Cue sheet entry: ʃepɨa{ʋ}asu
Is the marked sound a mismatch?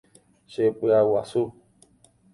yes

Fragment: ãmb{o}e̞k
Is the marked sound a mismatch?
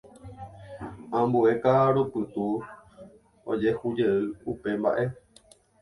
yes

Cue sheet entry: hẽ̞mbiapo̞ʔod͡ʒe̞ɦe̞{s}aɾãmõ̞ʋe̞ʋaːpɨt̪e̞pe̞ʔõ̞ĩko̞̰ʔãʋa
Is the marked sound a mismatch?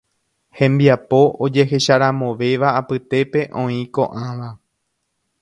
yes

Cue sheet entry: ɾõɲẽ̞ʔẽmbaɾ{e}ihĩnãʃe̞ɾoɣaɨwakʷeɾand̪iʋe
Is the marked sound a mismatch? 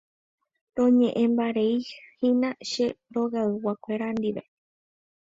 no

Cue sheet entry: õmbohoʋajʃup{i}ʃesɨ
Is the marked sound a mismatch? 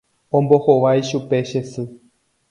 yes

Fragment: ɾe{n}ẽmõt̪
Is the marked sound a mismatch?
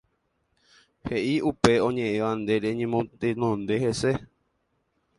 yes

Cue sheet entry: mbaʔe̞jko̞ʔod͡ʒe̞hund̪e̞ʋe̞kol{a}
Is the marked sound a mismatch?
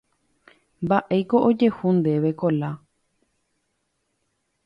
no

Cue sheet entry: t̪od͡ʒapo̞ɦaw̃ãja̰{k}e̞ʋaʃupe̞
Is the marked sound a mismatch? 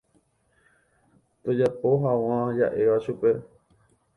yes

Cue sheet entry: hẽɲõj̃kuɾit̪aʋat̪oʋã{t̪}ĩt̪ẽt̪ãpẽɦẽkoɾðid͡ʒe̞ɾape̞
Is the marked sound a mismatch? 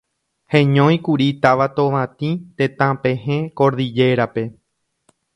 no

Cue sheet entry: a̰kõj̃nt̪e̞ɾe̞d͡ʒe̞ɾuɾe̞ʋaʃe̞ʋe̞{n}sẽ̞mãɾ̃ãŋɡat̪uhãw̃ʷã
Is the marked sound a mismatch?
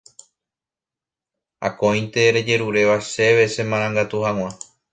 yes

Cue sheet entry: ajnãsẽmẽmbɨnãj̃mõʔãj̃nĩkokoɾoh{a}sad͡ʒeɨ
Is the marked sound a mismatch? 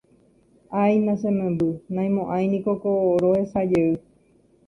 yes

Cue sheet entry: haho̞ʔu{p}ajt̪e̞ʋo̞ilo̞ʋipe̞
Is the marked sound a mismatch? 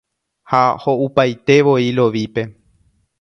no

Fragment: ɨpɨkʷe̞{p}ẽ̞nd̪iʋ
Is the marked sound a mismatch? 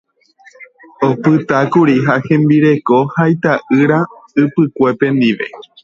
no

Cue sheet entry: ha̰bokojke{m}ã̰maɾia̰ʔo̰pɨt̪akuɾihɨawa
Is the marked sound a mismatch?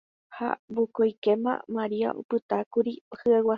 no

